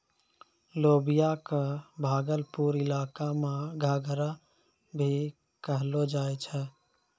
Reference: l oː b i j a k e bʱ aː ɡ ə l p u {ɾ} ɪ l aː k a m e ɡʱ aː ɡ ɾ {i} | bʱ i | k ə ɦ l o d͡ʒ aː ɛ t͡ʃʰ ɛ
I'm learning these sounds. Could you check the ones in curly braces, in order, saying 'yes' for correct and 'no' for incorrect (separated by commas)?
yes, no